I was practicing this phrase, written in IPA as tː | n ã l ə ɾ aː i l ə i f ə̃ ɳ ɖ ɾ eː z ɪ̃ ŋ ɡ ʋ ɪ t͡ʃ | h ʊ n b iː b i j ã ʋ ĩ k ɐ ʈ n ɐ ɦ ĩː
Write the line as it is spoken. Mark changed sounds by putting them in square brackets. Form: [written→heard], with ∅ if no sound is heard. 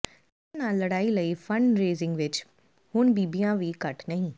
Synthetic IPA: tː | n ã l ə [ɾ→ɽ] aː i l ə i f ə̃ ɳ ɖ ɾ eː z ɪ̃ ŋ ɡ ʋ ɪ t͡ʃ | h ʊ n b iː b i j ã ʋ [ĩ→i] k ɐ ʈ n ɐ ɦ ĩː